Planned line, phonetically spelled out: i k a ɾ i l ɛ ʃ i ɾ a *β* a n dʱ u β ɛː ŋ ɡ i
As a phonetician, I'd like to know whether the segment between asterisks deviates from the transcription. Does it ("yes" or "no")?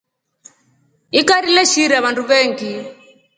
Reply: no